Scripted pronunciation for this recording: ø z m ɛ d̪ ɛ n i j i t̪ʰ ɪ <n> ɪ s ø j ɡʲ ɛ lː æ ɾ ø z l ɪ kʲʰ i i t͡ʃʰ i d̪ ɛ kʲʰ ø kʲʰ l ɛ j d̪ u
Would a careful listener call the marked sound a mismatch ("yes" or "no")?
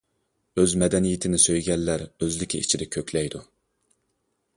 no